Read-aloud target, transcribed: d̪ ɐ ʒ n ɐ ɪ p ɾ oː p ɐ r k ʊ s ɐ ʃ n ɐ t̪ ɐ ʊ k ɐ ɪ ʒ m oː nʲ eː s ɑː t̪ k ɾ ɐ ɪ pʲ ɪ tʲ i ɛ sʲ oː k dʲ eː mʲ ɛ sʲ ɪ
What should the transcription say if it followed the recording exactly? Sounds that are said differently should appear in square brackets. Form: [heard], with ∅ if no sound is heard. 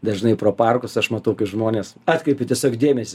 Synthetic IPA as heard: d̪ ɐ ʒ n ɐ ɪ p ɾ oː p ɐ r k ʊ s ɐ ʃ [m] ɐ t̪ ɐ ʊ k ɐ ɪ ʒ m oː nʲ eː s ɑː t̪ k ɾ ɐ ɪ pʲ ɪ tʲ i ɛ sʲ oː k dʲ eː mʲ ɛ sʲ ɪ